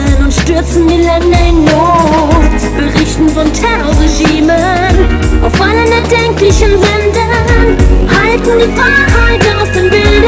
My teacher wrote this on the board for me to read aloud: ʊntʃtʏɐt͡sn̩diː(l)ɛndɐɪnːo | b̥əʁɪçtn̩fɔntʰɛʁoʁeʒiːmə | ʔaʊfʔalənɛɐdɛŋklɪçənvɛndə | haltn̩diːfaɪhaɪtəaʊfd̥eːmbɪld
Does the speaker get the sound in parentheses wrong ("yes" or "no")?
no